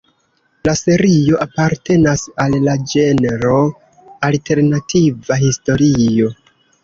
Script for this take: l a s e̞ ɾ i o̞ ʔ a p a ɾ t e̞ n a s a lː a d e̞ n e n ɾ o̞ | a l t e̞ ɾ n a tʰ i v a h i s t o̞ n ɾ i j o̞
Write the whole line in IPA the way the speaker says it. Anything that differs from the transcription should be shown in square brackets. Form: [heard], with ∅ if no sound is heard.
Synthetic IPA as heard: l a s e̞ ɾ i o̞ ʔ a p a ɾ t e̞ n a s a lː a [d͡ʒ] e̞ n e [∅] ɾ o̞ | a l t e̞ ɾ n a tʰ i v a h i s t o̞ [∅] ɾ i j o̞